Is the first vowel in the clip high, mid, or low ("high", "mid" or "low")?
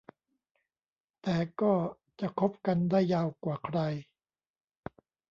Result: mid